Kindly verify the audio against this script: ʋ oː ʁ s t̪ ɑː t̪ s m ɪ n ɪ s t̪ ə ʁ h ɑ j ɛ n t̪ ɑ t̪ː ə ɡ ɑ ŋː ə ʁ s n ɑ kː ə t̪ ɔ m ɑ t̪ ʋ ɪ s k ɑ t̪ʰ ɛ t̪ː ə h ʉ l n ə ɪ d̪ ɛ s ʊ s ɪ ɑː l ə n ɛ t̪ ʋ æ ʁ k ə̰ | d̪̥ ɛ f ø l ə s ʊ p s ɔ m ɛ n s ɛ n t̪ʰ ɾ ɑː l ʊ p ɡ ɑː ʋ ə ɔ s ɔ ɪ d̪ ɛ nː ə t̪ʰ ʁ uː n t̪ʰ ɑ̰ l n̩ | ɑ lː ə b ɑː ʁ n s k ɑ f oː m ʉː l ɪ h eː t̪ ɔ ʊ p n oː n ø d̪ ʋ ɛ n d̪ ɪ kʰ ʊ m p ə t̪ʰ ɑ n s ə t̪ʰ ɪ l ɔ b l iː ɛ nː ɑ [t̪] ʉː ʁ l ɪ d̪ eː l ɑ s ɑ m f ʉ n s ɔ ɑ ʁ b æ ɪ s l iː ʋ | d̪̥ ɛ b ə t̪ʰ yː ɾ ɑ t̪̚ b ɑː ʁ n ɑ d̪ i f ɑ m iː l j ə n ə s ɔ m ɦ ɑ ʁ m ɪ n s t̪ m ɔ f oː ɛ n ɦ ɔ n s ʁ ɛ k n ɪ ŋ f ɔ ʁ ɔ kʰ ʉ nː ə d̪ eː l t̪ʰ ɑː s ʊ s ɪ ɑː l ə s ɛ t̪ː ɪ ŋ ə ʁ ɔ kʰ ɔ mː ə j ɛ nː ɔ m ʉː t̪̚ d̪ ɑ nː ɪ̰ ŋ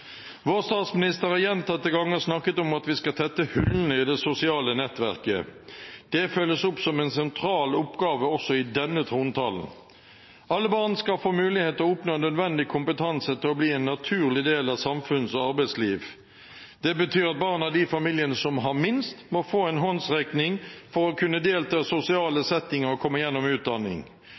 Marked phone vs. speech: incorrect: t̪ʰ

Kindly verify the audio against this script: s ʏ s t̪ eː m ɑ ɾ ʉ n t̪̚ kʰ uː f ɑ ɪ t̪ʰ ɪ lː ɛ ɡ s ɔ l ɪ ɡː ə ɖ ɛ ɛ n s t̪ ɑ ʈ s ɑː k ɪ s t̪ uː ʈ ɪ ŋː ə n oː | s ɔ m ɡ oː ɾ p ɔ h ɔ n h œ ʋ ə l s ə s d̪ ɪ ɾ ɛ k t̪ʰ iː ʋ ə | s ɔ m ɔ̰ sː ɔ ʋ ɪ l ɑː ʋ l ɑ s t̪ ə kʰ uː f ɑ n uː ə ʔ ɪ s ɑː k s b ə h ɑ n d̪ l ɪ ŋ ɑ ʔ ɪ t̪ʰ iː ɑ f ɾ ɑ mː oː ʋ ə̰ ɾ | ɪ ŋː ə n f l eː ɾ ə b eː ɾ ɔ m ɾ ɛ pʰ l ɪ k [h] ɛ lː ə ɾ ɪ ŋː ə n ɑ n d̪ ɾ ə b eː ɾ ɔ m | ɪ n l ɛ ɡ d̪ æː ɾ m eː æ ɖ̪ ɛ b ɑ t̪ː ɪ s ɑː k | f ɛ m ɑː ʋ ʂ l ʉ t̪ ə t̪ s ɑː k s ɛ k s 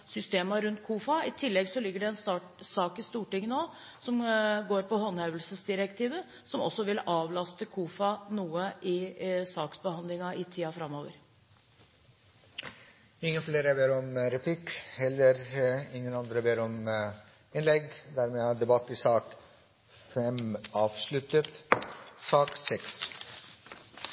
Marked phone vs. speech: correct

